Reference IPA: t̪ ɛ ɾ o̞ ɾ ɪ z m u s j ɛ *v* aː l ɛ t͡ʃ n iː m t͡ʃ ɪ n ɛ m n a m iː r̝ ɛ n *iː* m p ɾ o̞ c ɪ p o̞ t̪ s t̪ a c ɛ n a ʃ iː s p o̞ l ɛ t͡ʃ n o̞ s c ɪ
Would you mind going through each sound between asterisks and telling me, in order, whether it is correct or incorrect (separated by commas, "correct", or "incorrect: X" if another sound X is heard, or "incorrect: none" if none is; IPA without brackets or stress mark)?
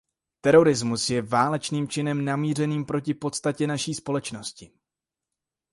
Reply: correct, correct